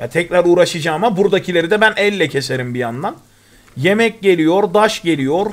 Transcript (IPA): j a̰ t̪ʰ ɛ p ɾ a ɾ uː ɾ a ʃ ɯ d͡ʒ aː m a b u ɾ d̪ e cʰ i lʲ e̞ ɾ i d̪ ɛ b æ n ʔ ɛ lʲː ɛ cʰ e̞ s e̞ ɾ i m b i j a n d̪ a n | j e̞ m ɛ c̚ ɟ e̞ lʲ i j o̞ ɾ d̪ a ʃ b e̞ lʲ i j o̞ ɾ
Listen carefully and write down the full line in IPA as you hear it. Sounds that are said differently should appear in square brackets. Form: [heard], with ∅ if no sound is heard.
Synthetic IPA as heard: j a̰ t̪ʰ ɛ [c] ɾ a ɾ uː ɾ a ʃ ɯ d͡ʒ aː m a b u ɾ d̪ [a] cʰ i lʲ e̞ ɾ i d̪ ɛ b æ n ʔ ɛ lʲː ɛ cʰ e̞ s e̞ ɾ i m b i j a n d̪ a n | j e̞ m ɛ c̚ ɟ e̞ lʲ i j o̞ ɾ d̪ a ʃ [ɟ] e̞ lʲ i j o̞ ɾ